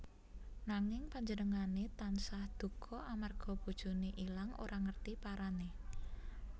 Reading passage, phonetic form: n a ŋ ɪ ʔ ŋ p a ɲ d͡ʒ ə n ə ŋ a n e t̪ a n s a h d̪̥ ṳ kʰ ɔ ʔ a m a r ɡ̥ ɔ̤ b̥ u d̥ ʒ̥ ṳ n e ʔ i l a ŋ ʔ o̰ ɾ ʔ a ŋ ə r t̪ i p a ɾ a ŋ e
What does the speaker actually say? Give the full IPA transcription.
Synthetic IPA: n a ŋ ɪ ŋ p a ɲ d͡ʒ ə n ə ŋ a n e t̪ a n s a h d̪̥ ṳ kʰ ɔ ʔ a m a r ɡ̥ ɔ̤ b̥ u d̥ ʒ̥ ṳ n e ʔ i l a ŋ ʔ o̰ ɾ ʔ a ŋ ə r t̪ i p a ɾ a n e